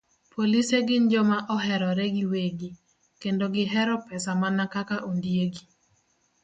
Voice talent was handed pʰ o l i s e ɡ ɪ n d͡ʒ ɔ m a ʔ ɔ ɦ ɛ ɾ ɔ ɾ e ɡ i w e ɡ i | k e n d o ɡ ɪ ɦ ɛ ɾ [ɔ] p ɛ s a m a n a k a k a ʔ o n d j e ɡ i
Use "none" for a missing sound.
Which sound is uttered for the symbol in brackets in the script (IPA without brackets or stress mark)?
ɔ